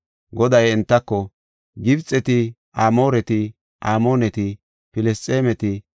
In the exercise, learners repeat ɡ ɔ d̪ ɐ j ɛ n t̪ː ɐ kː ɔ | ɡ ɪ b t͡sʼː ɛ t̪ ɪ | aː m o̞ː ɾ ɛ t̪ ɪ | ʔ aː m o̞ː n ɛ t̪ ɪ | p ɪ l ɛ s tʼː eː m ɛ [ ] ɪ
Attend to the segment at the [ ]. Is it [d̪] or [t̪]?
t̪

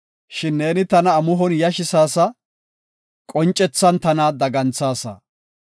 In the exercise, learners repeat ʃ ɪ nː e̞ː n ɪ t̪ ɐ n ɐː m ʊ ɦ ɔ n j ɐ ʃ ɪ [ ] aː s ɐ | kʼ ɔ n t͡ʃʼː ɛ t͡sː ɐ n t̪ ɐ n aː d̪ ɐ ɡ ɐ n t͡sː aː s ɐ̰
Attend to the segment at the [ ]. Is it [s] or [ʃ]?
s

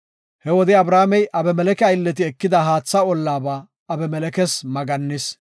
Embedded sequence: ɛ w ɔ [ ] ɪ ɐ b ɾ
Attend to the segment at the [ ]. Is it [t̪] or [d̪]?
d̪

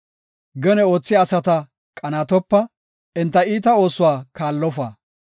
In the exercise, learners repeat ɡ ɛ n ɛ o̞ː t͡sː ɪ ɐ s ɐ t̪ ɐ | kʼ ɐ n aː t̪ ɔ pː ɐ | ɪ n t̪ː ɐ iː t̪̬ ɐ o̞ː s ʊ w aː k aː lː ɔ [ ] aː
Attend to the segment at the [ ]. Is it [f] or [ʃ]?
f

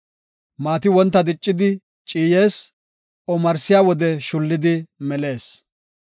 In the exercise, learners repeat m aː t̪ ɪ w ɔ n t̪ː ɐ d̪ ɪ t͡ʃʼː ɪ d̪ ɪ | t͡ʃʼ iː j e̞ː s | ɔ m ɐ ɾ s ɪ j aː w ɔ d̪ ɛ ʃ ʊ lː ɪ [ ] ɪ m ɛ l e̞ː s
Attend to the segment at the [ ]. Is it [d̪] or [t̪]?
d̪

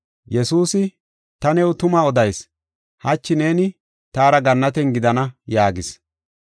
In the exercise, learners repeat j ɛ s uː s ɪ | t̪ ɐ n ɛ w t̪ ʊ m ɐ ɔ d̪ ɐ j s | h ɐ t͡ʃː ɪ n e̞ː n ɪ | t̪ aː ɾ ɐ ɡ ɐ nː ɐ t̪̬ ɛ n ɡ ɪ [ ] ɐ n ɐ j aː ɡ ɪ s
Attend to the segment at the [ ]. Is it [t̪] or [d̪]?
d̪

